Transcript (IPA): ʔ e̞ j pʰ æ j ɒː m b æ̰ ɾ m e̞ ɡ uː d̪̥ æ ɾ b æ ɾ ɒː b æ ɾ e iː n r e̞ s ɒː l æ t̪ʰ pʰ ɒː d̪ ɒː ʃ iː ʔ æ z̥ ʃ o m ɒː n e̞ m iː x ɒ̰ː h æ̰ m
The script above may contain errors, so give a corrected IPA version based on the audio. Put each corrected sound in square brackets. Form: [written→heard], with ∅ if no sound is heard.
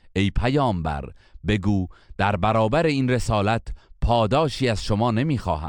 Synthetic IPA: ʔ e̞ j pʰ æ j ɒː m b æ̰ ɾ [m→b] e̞ ɡ uː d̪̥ æ ɾ b æ ɾ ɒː b æ ɾ e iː n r e̞ s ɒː l æ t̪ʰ pʰ ɒː d̪ ɒː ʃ iː [ʔ→∅] æ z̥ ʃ o m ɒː n e̞ m iː x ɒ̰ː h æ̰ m